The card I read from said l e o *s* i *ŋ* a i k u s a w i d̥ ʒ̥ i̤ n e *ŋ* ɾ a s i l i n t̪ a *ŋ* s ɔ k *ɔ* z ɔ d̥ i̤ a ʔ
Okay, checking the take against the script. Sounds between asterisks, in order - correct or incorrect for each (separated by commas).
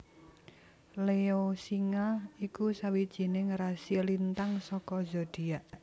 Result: correct, correct, correct, correct, correct